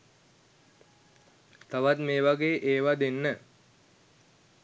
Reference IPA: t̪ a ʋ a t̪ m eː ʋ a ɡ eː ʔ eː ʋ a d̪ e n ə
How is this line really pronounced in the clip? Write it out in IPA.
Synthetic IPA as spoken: t̪ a ʋ a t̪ m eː ʋ a ɡ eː ʔ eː ʋ a d̪ e nː ə